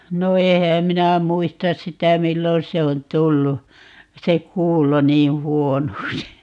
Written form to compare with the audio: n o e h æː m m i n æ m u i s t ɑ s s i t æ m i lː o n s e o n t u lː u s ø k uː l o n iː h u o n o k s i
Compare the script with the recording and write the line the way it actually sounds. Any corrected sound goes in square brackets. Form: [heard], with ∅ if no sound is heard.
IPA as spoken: n o e h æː m m i n æ m u i s t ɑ s s i t æ m i lː o n s e o n t u lː u s [e] k uː l o n iː h u o n o k s i